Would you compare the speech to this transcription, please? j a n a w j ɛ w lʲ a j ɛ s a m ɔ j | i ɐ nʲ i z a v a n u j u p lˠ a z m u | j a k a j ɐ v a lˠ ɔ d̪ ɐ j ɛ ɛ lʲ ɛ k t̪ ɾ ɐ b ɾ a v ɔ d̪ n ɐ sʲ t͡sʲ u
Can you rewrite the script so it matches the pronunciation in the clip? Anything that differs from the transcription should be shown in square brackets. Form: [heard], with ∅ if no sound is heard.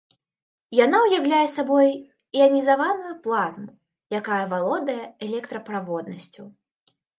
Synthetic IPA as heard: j a n a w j [a] w lʲ a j ɛ s a [b] ɔ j | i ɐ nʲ i z a v a n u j u p lˠ a z m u | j a k a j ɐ v a lˠ ɔ d̪ ɐ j ɛ ɛ lʲ ɛ k t̪ ɾ ɐ [p] ɾ a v ɔ d̪ n ɐ sʲ t͡sʲ u